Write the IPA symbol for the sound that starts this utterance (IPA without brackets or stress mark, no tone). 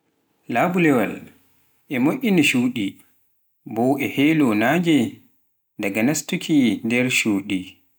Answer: l